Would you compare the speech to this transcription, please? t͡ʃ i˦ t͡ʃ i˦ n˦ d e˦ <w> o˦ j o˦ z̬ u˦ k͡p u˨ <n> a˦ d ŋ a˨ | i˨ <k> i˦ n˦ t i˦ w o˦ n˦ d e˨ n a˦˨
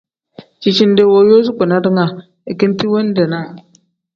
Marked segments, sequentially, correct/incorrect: correct, correct, correct

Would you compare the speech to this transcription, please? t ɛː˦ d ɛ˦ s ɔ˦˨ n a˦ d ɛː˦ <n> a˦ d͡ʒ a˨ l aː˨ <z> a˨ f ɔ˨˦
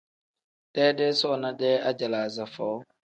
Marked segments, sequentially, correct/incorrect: incorrect, correct

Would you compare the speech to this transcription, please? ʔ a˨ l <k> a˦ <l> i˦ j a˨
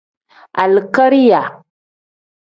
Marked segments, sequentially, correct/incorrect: correct, incorrect

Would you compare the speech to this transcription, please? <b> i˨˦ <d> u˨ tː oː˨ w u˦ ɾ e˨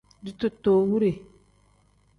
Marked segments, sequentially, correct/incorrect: incorrect, incorrect

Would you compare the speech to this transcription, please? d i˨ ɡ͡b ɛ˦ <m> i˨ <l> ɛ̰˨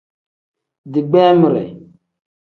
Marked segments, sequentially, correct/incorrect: correct, incorrect

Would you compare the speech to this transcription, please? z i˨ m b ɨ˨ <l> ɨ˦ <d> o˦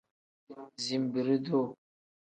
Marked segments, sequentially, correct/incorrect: incorrect, correct

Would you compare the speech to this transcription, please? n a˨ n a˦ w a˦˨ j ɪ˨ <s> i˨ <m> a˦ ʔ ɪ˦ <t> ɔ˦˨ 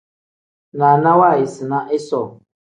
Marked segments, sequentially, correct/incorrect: correct, incorrect, incorrect

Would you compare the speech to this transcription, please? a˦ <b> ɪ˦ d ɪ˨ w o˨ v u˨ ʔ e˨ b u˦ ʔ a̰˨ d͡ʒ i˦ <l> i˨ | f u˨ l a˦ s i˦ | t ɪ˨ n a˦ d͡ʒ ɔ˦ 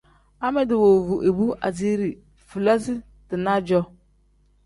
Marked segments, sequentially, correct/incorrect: incorrect, incorrect

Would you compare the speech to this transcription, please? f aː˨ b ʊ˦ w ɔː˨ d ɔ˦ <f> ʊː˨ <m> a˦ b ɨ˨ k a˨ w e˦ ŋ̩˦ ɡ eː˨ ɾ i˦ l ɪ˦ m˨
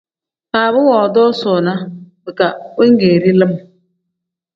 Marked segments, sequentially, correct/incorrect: incorrect, incorrect

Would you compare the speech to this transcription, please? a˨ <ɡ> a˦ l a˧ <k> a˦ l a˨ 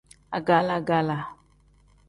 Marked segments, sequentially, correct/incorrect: correct, incorrect

